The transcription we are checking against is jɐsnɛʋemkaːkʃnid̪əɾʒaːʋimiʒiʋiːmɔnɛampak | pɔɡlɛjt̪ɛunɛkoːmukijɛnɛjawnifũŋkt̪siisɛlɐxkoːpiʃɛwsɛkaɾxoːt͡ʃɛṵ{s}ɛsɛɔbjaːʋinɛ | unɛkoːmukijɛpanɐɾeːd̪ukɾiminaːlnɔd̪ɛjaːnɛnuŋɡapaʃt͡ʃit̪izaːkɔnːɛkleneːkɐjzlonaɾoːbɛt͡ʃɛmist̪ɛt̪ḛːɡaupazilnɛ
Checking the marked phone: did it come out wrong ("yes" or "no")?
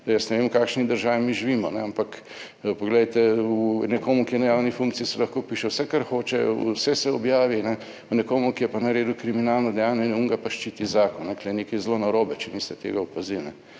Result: no